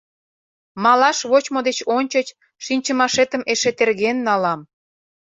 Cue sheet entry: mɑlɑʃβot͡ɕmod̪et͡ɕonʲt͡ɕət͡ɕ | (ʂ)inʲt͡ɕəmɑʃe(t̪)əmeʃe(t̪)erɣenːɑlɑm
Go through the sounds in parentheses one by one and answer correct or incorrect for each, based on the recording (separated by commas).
incorrect, correct, correct